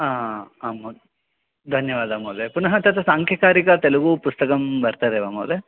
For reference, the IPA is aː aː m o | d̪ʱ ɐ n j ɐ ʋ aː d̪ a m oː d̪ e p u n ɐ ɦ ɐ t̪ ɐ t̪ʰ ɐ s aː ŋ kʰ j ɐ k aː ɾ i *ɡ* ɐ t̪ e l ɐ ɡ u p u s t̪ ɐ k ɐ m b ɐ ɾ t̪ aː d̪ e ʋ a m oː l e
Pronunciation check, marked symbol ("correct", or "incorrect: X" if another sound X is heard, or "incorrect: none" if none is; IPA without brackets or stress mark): incorrect: k